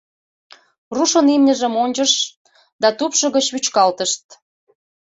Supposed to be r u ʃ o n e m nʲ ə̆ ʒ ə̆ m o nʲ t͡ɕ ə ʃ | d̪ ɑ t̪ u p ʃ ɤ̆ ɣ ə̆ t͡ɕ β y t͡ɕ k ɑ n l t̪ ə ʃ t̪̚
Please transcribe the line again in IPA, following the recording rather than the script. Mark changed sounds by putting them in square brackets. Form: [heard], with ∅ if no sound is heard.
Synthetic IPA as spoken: r u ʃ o n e m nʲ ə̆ ʒ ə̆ m o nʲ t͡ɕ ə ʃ | d̪ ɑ t̪ u p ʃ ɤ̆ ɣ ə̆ t͡ɕ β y t͡ɕ k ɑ [∅] l t̪ ə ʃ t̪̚